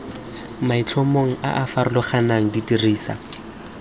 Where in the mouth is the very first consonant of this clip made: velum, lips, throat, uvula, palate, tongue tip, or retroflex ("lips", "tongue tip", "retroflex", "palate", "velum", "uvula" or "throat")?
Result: lips